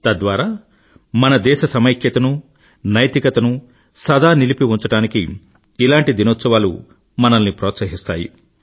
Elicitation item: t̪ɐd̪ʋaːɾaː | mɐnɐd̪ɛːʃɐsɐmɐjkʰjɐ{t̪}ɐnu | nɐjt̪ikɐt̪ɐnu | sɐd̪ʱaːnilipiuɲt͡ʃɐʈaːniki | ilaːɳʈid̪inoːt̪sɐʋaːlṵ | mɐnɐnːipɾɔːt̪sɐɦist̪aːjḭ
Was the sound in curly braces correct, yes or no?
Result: yes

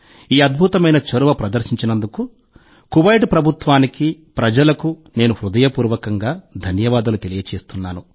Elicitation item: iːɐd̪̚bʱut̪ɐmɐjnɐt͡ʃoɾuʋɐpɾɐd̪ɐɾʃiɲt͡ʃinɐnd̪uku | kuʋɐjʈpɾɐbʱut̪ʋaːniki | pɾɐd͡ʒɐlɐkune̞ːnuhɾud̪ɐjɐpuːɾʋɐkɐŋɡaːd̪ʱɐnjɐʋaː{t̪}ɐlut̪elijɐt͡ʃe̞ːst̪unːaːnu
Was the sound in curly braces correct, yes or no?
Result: no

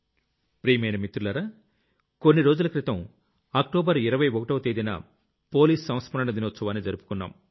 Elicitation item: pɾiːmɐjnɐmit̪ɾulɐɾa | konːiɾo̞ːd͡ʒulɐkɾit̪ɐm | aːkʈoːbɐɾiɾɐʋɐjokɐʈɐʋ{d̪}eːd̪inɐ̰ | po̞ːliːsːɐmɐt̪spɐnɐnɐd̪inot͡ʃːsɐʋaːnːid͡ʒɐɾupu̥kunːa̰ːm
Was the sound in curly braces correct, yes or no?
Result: no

